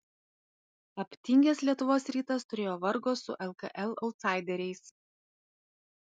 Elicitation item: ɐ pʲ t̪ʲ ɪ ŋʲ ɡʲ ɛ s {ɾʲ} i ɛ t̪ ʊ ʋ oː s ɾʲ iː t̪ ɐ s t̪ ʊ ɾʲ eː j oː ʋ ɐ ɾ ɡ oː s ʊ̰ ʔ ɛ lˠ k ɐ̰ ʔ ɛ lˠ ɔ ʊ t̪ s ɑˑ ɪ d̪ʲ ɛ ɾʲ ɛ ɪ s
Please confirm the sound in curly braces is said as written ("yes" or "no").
no